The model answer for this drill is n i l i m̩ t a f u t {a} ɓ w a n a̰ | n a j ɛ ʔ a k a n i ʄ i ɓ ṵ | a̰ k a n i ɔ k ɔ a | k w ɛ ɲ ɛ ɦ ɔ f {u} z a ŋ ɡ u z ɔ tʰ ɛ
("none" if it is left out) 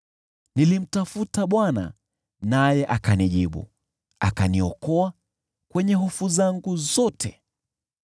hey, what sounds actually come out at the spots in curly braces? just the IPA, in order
a, u

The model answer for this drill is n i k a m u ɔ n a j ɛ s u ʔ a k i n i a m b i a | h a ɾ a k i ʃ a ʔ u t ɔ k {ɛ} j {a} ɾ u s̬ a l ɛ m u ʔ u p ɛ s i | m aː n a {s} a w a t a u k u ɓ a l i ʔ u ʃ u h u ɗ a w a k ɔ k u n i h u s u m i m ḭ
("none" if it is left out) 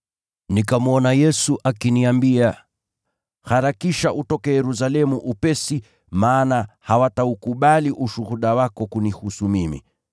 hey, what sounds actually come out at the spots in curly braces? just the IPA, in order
ɛ, ɛ, h

